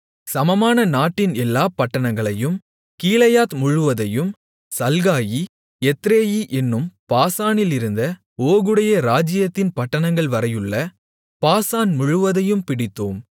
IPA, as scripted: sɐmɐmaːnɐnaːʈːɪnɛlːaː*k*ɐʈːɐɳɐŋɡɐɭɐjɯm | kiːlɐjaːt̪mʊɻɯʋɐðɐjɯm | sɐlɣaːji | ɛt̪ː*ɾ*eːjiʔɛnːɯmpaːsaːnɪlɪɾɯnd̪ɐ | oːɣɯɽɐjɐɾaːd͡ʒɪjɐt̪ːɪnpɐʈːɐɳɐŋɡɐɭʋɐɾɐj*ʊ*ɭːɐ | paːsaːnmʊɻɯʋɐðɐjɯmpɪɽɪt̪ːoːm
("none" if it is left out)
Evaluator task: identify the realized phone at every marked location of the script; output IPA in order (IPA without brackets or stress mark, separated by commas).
p, ɾ, ɯ